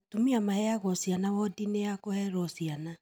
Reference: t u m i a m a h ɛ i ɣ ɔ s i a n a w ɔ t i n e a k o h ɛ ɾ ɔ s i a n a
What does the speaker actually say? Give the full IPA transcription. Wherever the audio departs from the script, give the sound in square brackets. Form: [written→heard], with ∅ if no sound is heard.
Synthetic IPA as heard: t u m i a m a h ɛ [i→a] ɣ ɔ s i a n a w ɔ [t→d] i n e a k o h ɛ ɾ ɔ s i a n a